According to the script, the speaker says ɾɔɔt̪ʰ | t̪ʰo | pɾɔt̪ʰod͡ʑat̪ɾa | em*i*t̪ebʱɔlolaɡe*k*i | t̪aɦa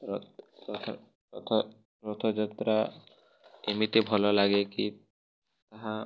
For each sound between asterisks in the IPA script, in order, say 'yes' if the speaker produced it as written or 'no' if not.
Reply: yes, yes

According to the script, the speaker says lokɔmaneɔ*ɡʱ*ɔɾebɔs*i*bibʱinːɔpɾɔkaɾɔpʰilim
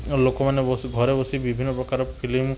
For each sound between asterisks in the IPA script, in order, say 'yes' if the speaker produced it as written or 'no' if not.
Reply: yes, yes

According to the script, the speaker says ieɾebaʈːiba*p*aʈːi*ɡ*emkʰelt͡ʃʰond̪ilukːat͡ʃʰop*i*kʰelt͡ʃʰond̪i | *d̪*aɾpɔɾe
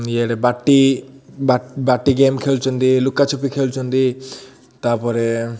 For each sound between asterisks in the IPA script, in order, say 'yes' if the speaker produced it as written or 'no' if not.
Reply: no, yes, yes, no

